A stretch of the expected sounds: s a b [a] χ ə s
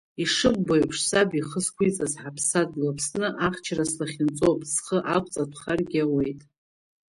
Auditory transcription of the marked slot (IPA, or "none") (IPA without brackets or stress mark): i